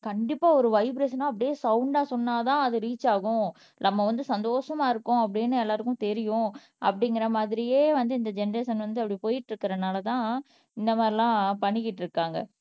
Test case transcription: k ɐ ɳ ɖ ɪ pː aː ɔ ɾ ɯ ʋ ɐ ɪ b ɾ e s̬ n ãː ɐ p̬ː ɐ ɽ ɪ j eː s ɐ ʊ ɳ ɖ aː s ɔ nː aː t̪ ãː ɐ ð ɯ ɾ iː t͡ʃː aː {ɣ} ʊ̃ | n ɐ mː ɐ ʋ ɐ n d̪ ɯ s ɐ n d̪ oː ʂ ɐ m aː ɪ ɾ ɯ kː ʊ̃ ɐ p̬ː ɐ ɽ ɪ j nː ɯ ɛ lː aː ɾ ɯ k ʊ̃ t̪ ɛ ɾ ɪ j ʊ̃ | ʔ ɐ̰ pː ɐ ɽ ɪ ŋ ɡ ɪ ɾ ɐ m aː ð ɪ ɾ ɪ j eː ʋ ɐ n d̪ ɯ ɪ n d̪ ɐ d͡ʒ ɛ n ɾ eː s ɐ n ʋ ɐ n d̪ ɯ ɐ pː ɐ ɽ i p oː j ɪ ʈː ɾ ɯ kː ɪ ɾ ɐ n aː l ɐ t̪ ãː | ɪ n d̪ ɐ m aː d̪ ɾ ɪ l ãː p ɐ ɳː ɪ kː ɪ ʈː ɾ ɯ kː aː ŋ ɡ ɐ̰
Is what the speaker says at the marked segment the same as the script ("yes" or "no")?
yes